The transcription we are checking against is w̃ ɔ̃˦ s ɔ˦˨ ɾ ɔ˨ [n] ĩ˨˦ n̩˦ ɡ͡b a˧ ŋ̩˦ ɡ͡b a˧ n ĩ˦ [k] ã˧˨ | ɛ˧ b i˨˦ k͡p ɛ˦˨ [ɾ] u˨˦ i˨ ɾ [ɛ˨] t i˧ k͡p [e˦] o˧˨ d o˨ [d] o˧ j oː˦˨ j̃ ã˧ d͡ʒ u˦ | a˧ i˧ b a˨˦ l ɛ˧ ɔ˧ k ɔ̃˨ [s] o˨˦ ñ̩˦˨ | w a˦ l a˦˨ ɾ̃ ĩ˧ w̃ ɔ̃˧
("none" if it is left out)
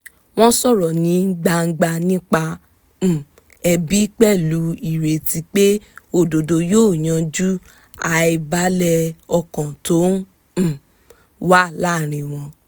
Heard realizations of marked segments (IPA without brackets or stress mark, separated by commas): n, k͡p, l, e˨, e˦, d, t